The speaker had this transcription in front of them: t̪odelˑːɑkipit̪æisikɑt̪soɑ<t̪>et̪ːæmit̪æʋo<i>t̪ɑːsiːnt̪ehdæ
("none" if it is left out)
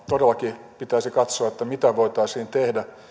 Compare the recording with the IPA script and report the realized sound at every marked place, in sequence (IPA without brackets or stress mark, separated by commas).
none, i